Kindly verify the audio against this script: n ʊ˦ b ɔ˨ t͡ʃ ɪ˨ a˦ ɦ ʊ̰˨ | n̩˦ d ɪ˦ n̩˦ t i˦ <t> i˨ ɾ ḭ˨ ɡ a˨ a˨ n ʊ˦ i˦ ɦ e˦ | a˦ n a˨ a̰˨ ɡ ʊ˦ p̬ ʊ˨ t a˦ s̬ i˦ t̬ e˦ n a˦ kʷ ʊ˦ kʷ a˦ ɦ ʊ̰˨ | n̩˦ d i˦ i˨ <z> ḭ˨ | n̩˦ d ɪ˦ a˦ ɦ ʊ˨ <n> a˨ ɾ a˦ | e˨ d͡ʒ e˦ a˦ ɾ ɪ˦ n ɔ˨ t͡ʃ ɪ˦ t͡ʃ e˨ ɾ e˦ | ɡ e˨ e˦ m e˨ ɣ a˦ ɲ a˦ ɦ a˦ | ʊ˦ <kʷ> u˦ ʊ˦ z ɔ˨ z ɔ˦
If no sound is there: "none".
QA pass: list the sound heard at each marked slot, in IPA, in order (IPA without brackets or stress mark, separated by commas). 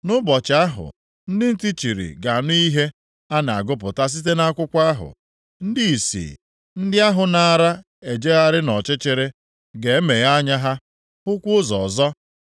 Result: t͡ʃ, s, n, kʷ